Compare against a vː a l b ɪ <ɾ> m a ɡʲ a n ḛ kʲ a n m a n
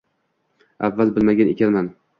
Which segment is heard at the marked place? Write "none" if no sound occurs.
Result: l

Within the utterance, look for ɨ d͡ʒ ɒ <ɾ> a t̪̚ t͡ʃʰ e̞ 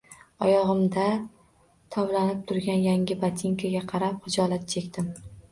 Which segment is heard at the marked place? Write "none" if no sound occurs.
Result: l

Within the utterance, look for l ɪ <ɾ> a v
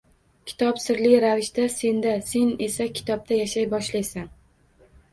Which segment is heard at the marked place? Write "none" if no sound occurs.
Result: ɾ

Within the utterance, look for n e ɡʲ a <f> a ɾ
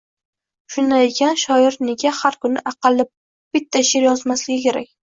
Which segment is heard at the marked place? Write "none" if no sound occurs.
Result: h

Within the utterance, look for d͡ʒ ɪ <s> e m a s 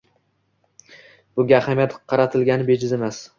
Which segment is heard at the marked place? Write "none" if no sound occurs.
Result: z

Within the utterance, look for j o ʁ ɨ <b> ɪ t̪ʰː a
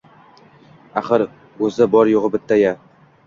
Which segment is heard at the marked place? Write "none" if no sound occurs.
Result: b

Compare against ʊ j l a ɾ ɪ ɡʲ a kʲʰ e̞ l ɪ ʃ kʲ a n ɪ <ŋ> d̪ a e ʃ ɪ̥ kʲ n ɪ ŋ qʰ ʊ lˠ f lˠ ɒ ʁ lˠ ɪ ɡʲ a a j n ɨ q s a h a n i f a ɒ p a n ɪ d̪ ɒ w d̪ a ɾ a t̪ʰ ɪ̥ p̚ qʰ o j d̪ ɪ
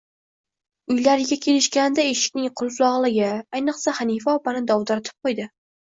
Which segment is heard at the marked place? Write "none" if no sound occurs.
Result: none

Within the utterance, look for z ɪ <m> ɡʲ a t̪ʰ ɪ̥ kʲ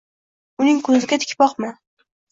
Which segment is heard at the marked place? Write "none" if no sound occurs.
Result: none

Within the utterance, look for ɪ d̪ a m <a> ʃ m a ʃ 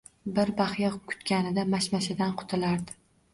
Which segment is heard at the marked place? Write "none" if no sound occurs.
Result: a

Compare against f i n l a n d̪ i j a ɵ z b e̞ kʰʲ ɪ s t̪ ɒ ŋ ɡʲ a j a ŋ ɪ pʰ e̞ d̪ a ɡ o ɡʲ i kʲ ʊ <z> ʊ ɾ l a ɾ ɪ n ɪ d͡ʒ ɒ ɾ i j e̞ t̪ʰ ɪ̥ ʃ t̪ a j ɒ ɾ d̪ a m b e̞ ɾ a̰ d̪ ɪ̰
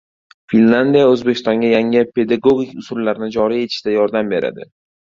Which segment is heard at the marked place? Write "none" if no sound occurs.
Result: s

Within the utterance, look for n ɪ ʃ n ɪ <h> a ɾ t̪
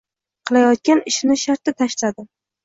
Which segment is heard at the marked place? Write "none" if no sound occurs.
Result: ʃ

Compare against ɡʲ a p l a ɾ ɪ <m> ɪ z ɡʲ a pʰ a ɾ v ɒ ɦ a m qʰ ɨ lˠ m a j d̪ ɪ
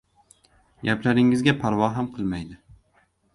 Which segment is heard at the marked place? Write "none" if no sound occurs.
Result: ŋ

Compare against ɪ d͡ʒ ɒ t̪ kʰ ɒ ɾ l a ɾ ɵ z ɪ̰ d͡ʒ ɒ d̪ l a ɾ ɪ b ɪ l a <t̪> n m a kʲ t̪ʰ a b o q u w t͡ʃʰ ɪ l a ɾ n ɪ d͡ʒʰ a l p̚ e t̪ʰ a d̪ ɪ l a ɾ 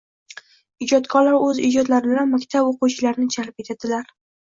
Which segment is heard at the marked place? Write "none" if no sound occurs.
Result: none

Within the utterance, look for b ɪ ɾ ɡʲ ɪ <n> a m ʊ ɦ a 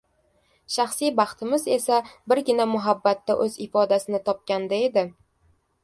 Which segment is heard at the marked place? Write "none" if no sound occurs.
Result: n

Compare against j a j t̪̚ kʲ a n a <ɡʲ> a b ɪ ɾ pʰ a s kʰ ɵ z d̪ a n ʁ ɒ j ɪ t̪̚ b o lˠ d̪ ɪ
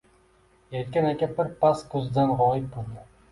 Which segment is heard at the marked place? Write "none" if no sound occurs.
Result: kʲ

